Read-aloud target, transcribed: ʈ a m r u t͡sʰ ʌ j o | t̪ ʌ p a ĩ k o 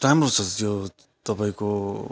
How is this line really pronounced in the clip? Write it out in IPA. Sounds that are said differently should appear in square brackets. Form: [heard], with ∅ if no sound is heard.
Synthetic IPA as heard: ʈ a m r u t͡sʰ ʌ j o | t̪ ʌ p a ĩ k o